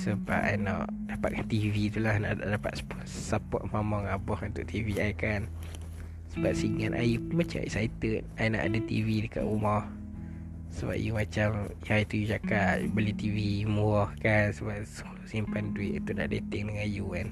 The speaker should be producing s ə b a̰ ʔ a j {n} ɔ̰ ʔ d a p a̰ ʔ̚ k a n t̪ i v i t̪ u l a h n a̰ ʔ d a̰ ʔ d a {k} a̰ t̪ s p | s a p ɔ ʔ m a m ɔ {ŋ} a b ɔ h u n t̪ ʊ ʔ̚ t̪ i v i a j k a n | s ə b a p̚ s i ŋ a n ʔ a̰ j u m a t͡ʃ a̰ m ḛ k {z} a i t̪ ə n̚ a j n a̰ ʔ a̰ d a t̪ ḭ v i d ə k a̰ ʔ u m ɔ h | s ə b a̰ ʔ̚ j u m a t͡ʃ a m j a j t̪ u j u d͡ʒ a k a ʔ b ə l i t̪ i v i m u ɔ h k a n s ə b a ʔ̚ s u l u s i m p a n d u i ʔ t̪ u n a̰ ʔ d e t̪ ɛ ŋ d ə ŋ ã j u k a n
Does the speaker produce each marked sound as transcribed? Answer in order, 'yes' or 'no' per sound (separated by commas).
yes, no, yes, no